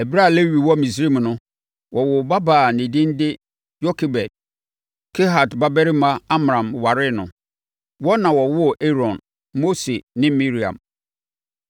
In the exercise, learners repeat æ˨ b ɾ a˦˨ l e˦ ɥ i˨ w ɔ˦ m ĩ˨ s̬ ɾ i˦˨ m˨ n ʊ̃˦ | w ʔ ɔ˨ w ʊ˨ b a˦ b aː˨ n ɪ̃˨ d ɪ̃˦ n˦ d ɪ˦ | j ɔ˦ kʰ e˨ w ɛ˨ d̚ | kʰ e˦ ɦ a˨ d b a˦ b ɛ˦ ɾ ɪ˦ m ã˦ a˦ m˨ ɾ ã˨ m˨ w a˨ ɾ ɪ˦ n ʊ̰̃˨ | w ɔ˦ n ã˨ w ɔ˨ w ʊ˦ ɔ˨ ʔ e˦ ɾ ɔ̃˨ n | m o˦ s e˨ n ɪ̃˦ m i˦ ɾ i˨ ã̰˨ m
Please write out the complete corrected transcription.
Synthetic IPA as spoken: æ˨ b ɾ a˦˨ l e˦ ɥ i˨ w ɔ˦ m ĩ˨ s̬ ɾ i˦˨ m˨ n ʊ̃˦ | w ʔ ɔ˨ w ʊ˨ b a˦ b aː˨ n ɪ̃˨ d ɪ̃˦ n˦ d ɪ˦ | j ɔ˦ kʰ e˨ b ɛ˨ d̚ | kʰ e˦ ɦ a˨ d b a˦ b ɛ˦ ɾ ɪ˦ m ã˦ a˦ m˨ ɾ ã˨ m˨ w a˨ ɾ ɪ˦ n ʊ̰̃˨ | w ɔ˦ n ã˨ w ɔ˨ w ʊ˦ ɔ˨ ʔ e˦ ɾ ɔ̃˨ n | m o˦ s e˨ n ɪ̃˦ m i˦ ɾ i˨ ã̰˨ m